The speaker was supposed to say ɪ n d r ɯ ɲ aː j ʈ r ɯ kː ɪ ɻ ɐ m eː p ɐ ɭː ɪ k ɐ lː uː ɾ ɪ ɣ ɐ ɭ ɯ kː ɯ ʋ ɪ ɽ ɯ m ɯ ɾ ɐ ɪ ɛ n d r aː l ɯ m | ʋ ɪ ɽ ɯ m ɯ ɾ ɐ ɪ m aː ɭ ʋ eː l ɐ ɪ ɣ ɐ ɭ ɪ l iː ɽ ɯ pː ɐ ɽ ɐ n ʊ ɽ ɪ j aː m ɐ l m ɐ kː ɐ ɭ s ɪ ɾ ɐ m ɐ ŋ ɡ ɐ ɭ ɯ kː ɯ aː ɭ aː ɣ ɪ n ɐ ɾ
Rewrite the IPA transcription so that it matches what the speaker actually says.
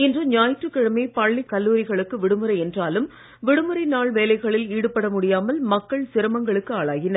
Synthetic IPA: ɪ n d r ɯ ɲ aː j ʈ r ɯ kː ɪ ɻ ɐ m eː p ɐ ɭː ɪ k ɐ lː uː ɾ ɪ ɣ ɐ ɭ ɯ kː ɯ ʋ ɪ ɽ ɯ m ɯ ɾ ɐ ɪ ɛ n d r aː l ɯ m | ʋ ɪ ɽ ɯ m ɯ ɾ ɐ ɪ n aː ɭ ʋ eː l ɐ ɪ ɣ ɐ ɭ ɪ l iː ɽ ɯ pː ɐ ɽ ɐ m ʊ ɽ ɪ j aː m ɐ l m ɐ kː ɐ ɭ s ɪ ɾ ɐ m ɐ ŋ ɡ ɐ ɭ ɯ kː ɯ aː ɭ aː ɣ ɪ n ɐ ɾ

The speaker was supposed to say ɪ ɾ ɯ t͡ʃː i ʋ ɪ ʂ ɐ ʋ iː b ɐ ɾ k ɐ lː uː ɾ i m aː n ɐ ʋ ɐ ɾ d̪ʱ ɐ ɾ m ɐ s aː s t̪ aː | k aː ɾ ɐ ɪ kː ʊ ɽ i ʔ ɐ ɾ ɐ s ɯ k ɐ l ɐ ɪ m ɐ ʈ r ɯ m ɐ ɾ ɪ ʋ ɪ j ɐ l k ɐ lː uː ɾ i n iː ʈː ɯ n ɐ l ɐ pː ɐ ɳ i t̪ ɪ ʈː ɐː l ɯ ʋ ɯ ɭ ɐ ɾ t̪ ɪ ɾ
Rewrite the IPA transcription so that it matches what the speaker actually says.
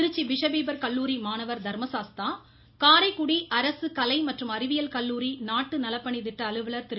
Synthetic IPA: ɪ ɾ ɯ t͡ʃː i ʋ ɪ ʂ ɐ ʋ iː b ɐ ɾ k ɐ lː uː ɾ i m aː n ɐ ʋ ɐ ɾ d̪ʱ ɐ ɾ m ɐ s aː s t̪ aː | k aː ɾ ɐ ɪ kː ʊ ɽ i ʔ ɐ ɾ ɐ s ɯ k ɐ l ɐ ɪ m ɐ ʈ r ɯ m ɐ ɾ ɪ ʋ ɪ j ɐ l k ɐ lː uː ɾ i n aː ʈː ɯ n ɐ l ɐ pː ɐ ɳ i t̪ ɪ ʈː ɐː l ɯ ʋ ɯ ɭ ɐ ɾ t̪ ɪ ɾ

